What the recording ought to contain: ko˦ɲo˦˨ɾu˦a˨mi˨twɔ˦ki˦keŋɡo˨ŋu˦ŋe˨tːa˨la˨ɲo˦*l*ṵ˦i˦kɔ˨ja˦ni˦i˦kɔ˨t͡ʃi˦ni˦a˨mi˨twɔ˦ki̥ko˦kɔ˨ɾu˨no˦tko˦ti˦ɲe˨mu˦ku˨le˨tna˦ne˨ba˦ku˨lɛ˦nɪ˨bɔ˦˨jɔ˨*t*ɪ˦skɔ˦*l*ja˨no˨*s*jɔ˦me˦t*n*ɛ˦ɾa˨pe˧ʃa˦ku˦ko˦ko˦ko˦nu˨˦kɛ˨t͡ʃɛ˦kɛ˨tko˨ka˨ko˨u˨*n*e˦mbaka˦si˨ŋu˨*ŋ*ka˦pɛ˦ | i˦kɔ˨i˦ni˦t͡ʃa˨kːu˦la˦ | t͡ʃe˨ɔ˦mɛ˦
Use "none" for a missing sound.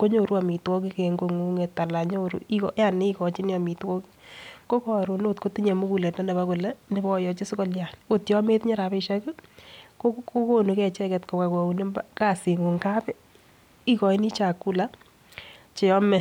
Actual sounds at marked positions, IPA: ɾ, t͡ʃ, l, t, ɲ, n, ŋ

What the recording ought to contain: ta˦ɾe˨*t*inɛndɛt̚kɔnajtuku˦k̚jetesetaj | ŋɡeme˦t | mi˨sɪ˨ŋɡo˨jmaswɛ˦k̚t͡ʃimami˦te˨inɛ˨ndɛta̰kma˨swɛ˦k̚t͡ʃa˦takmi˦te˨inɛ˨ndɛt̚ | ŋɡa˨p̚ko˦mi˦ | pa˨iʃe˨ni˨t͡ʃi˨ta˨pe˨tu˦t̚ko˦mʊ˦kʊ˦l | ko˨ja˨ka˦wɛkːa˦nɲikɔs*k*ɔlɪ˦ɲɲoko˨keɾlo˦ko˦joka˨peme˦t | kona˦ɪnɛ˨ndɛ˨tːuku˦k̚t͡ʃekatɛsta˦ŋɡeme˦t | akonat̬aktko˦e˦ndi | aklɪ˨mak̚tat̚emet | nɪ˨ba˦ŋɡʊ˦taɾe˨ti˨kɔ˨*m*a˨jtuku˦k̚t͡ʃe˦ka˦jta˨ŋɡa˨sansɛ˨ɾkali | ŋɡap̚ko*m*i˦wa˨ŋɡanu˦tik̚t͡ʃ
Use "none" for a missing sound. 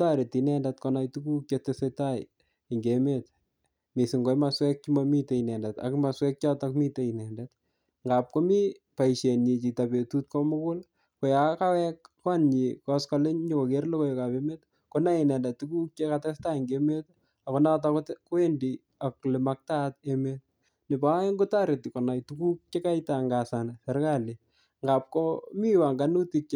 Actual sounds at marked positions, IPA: t, k, n, m

